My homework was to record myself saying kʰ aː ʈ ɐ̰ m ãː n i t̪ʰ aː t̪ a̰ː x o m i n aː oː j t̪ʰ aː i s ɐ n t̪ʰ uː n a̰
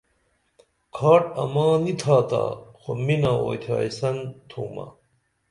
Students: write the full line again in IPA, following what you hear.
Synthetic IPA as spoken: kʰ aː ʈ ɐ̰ m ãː n i t̪ʰ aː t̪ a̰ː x o m i n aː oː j t̪ʰ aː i s ɐ n t̪ʰ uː m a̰